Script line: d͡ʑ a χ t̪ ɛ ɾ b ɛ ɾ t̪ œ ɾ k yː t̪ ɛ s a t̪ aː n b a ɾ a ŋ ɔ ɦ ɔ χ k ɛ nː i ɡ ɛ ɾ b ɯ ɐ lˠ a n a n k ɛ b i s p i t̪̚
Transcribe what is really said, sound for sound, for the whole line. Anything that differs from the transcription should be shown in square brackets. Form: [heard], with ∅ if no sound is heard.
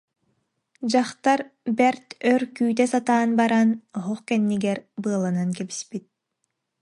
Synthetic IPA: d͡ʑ a χ t̪ [a] ɾ b ɛ ɾ t̪ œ ɾ k yː t̪ ɛ s a t̪ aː n b a ɾ a [n] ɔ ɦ ɔ χ k ɛ nː i ɡ ɛ ɾ b ɯ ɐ lˠ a n a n k ɛ b i s p i t̪̚